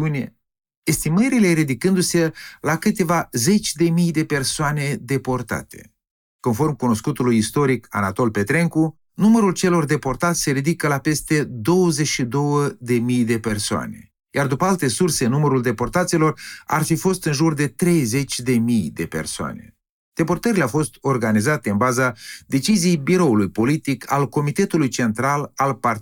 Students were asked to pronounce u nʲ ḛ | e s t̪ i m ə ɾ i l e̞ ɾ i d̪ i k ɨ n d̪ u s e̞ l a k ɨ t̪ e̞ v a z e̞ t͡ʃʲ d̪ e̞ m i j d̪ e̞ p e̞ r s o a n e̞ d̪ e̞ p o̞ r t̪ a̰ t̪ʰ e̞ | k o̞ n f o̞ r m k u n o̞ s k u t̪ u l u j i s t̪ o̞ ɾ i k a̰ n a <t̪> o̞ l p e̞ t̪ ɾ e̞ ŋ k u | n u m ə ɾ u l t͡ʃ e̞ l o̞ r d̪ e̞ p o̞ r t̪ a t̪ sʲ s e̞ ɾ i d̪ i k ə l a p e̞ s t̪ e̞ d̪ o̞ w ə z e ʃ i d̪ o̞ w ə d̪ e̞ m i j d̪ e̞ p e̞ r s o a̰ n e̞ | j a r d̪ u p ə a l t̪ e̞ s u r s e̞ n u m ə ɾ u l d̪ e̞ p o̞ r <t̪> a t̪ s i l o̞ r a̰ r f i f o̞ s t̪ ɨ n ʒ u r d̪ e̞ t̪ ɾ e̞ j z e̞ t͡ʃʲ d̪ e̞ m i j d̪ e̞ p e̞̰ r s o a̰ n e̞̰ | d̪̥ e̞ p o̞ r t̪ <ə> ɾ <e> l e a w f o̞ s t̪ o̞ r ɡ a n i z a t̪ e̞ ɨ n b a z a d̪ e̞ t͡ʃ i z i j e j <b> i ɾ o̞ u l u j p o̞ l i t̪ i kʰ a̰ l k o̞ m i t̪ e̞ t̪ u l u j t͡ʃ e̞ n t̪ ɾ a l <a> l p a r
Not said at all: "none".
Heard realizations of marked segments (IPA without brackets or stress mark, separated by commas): t̪, t̪, ə, i, b, a